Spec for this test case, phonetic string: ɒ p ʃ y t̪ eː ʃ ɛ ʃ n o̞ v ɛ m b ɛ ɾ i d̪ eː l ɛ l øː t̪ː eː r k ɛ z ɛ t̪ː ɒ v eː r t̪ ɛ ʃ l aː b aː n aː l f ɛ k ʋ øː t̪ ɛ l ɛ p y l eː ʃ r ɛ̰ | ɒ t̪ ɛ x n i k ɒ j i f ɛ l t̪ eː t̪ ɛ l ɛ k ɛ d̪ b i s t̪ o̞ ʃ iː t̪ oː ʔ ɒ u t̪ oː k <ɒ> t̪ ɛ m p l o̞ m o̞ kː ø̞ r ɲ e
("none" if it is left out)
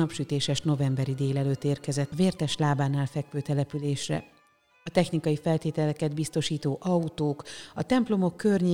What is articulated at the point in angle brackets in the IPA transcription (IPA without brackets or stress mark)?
ɒ